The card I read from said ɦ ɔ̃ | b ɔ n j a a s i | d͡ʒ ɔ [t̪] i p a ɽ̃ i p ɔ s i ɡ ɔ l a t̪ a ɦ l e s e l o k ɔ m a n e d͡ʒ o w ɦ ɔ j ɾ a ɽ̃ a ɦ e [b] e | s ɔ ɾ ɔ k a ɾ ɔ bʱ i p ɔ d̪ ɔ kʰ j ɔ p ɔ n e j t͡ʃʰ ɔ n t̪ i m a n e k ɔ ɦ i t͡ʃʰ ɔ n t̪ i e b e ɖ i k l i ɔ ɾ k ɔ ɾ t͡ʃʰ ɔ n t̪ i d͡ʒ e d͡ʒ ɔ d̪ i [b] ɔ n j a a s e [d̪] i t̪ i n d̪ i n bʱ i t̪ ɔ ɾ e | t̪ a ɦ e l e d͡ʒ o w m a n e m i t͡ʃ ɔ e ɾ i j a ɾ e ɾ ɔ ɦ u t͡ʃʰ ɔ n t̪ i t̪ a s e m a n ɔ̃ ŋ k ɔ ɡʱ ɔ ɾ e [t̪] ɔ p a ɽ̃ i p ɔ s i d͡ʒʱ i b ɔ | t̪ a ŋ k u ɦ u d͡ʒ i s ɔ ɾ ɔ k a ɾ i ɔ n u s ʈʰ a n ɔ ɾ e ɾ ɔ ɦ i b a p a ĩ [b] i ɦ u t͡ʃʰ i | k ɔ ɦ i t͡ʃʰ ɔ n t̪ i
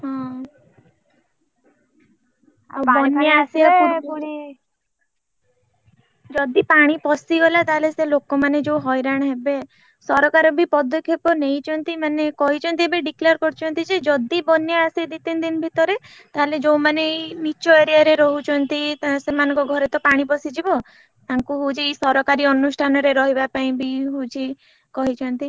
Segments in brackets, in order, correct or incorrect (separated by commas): incorrect, correct, correct, correct, correct, correct